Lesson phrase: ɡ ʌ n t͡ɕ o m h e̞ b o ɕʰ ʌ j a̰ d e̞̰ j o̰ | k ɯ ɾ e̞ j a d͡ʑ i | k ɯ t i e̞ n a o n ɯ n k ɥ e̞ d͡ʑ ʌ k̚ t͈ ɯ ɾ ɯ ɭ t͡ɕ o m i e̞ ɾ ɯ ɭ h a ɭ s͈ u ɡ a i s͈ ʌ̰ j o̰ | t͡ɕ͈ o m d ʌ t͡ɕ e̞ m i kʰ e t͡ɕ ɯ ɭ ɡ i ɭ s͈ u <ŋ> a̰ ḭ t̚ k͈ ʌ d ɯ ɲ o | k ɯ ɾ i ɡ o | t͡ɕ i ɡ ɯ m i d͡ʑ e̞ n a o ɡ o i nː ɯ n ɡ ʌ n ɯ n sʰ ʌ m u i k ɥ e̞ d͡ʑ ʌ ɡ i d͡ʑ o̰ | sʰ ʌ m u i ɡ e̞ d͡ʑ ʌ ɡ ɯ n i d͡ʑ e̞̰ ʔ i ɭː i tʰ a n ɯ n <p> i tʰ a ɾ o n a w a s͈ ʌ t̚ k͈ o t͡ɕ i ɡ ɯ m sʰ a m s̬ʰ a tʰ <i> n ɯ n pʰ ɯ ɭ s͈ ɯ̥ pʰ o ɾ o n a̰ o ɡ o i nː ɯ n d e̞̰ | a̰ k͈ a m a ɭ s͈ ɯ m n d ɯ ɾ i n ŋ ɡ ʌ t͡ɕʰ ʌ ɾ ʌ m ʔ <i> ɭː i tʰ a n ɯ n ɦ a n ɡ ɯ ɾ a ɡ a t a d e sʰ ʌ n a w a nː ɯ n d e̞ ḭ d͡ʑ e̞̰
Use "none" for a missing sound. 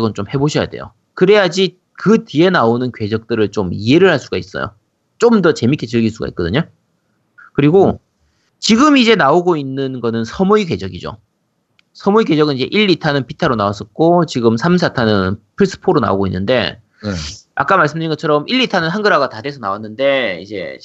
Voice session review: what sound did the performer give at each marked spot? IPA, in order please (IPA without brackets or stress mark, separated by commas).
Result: ɡ, p, a, i